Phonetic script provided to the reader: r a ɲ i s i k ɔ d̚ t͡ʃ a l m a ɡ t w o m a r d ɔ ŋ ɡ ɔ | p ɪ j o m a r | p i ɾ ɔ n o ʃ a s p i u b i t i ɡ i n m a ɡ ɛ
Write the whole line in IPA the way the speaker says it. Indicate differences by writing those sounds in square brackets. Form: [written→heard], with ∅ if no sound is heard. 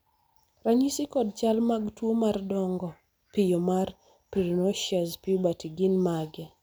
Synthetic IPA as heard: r a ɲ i s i k ɔ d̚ t͡ʃ a l m a ɡ t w o m a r d ɔ ŋ ɡ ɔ | p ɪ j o m a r | p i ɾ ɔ n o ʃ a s p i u b [i→a] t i ɡ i n m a ɡ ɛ